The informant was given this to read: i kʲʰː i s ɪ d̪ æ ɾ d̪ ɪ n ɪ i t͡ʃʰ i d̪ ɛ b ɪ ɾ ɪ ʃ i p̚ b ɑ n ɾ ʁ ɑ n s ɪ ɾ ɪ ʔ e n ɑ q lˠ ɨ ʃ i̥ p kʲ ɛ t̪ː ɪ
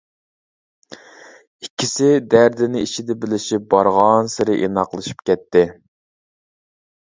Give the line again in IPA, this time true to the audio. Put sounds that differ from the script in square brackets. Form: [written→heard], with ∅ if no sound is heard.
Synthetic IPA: i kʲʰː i s ɪ d̪ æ ɾ d̪ ɪ n ɪ i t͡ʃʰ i d̪ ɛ b ɪ [ɾ→l] ɪ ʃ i p̚ b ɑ [n→∅] ɾ ʁ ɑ n s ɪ ɾ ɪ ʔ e n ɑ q lˠ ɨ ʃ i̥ p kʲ ɛ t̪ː ɪ

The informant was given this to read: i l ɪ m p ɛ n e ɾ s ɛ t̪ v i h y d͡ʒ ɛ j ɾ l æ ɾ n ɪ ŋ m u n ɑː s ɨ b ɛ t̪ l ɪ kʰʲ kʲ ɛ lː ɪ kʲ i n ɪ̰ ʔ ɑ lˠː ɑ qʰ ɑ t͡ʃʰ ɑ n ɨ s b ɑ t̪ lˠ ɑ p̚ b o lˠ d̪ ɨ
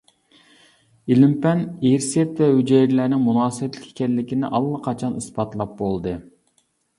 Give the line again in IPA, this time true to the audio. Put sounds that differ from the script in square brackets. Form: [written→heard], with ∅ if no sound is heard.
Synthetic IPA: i l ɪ m p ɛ n e ɾ s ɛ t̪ v [i→ɛ] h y d͡ʒ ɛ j ɾ l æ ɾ n ɪ ŋ m u n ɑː s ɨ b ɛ t̪ l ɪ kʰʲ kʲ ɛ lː ɪ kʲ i n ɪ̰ ʔ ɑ lˠː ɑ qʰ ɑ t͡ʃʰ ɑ n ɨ s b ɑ t̪ lˠ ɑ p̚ b o lˠ d̪ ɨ

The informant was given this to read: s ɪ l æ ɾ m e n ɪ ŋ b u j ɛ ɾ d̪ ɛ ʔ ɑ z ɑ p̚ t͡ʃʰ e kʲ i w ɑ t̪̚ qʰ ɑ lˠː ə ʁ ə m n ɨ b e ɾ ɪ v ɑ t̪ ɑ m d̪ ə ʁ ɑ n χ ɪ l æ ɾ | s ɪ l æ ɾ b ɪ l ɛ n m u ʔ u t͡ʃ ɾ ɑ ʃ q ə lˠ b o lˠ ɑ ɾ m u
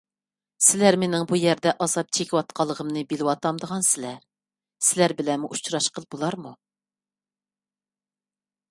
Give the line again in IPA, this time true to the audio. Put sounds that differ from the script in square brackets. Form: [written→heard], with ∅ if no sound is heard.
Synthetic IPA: s ɪ l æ ɾ m e n ɪ ŋ b u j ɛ ɾ d̪ ɛ ʔ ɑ z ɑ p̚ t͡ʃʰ e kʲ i w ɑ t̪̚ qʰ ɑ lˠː ə ʁ ə m n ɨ b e [ɾ→l] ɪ [v→w] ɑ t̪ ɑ m d̪ ə ʁ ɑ n [χ→s] ɪ l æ ɾ | s ɪ l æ ɾ b ɪ l ɛ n m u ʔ u t͡ʃ ɾ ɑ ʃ q ə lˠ b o lˠ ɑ ɾ m u

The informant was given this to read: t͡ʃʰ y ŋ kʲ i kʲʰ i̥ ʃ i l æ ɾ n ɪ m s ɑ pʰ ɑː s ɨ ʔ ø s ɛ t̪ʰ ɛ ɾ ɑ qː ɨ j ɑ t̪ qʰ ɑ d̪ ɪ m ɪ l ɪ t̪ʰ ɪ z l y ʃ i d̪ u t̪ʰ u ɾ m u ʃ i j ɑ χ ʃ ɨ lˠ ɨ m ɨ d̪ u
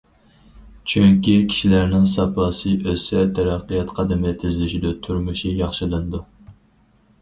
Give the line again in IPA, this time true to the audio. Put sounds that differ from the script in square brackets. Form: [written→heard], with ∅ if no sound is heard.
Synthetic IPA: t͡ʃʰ y ŋ kʲ i kʲʰ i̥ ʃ i l æ ɾ n ɪ [m→ŋ] s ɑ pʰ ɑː s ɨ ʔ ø s ɛ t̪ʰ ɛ ɾ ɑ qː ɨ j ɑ t̪ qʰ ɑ d̪ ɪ m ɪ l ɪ t̪ʰ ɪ z l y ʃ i d̪ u t̪ʰ u ɾ m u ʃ i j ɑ χ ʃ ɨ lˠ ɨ [m→n] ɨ d̪ u

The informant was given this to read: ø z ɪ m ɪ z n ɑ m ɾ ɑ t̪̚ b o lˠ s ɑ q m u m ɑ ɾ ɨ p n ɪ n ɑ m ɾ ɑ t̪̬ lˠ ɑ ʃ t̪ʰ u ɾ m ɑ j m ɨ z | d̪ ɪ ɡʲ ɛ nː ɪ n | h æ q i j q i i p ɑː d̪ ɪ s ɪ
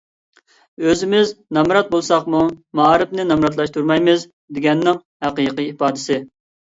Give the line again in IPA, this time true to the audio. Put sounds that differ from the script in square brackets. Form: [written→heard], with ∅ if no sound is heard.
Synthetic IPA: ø z ɪ m ɪ z n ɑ m ɾ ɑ t̪̚ b o lˠ s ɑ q m u m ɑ ɾ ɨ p n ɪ n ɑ m ɾ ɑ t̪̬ lˠ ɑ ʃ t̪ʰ u ɾ m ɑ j m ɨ z | d̪ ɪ ɡʲ ɛ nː ɪ [n→ŋ] | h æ q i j q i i p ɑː d̪ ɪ s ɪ

